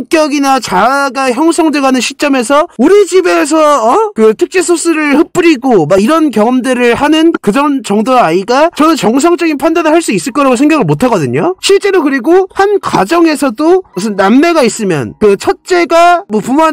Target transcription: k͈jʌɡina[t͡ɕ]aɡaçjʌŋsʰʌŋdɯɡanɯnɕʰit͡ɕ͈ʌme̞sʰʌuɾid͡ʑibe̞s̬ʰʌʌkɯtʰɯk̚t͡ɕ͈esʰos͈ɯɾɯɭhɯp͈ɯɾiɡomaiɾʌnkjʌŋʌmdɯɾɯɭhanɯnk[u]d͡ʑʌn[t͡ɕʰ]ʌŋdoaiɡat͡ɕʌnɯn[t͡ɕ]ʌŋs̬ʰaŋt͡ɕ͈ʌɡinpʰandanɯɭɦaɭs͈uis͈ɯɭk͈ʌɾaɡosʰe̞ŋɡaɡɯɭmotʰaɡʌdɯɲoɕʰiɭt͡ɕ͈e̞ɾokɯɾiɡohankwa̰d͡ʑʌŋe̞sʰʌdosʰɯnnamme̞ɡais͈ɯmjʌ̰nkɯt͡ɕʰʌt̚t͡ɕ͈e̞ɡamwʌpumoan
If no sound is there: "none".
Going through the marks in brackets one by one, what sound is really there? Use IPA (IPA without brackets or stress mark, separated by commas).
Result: t͡ɕ, ɯ, t͡ɕ, t͡ɕ